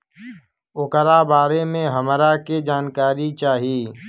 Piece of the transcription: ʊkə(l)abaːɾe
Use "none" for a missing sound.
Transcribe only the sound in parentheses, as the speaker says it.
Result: ɾ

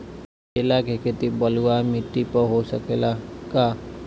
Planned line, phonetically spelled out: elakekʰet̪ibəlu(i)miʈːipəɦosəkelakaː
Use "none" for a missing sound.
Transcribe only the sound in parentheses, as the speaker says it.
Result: a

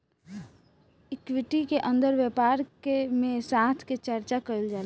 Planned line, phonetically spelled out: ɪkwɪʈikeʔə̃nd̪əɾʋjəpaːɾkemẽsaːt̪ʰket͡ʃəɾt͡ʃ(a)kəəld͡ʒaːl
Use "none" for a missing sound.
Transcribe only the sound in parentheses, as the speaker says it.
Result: a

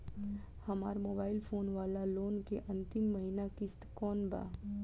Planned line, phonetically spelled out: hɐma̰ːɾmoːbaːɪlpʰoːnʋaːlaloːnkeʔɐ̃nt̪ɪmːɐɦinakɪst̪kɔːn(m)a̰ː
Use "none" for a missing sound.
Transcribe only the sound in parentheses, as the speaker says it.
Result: b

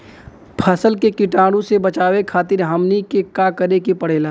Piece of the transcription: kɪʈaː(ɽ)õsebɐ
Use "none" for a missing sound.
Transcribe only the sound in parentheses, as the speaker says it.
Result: ɽ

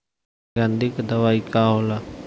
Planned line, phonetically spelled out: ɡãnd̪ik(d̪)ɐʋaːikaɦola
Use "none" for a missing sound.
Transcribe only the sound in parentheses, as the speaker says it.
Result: d̪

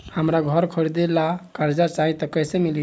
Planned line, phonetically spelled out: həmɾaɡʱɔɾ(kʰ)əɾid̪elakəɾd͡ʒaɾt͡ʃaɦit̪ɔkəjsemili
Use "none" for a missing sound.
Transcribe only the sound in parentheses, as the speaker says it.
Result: kʰ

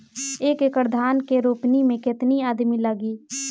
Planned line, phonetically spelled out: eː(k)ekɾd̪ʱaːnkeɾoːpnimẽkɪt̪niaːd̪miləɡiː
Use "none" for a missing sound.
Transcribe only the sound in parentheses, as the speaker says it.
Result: k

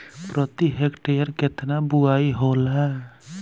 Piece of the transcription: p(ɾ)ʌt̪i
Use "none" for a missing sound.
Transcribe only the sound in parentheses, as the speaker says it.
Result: ɾ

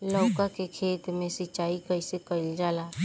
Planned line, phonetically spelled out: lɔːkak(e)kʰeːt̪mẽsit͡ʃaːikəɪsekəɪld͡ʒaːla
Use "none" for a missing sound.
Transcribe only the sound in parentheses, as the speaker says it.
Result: e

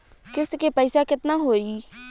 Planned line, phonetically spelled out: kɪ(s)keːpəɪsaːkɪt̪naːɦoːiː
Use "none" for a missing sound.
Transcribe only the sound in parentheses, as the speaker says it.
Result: s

